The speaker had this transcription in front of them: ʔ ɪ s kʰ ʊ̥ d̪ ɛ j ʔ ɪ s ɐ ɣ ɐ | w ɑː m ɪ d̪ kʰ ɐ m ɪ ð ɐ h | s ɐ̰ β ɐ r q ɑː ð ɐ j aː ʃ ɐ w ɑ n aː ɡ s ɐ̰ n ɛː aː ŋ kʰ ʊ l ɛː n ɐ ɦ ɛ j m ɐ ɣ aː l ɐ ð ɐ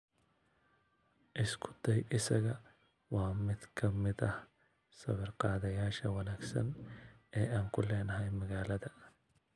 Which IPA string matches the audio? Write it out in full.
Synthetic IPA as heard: ʔ ɪ s kʰ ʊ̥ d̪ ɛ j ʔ ɪ s ɐ ɣ ɐ | w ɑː m ɪ d̪ kʰ ɐ m ɪ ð ɐ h | s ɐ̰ β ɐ r q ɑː ð ɐ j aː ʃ ɐ w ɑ n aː ɡ s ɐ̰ n ɛː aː ŋ kʰ ʊ l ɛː n ɐ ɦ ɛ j m ɐ ɣ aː l ɐ ð ɐ

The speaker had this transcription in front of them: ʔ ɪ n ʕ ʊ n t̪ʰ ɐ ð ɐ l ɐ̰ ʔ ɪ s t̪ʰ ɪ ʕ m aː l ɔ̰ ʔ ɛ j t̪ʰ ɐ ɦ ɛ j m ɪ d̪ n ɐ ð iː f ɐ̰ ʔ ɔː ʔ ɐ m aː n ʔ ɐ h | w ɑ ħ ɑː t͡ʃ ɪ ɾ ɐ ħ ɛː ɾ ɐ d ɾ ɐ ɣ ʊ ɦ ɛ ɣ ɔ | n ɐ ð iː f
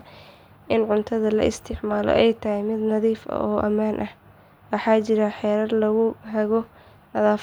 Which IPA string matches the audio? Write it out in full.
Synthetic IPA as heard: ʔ ɪ n ʕ ʊ n t̪ʰ ɐ ð ɐ l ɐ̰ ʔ ɪ s t̪ʰ ɪ ʕ m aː l ɔ̰ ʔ ɛ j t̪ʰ ɐ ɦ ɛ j m ɪ d̪ n ɐ ð iː f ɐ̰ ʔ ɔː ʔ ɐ m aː n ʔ ɐ h | w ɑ ħ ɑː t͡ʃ ɪ ɾ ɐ ħ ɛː ɾ ɐ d l ɐ ɣ ʊ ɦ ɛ ɣ ɔ | n ɐ ð aː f

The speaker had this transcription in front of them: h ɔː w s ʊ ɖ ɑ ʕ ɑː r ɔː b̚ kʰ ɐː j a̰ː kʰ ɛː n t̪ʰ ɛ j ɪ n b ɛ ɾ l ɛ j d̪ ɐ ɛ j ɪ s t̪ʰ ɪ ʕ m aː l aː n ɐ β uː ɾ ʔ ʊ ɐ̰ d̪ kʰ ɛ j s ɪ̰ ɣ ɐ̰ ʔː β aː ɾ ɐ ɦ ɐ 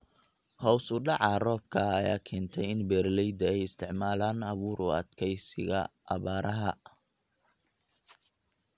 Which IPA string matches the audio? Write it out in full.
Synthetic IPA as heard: h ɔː w s ʊ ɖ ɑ ʕ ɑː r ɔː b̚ kʰ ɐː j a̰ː kʰ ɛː n t̪ʰ ɛ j ɪ n b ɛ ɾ l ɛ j d̪ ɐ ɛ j ɪ s t̪ʰ ɪ ʕ m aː l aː n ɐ β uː ɾ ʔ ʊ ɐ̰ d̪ kʰ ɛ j s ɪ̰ ɣ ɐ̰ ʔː β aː ɾ ɐ ɦ ɐ

